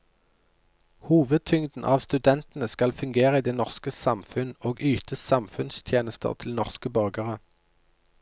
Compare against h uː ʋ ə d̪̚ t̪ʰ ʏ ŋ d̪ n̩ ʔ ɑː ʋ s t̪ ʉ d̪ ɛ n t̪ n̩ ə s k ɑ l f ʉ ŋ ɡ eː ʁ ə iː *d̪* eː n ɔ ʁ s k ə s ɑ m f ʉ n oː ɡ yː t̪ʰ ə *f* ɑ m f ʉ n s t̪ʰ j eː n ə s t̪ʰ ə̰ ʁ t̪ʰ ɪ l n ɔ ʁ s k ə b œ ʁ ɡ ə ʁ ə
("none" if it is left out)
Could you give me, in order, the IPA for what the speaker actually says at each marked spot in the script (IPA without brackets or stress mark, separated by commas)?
d̪, s